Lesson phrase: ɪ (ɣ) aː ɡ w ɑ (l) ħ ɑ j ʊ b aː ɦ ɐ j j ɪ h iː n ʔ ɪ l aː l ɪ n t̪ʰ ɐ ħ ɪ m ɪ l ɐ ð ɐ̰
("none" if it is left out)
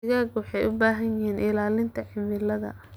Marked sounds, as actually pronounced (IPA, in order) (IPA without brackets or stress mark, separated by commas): ɣ, none